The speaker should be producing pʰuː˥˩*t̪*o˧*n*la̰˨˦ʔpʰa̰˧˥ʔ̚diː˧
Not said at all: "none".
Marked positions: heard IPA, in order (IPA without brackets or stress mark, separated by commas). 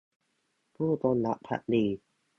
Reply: t̪, n